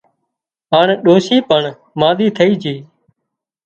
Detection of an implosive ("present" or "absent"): present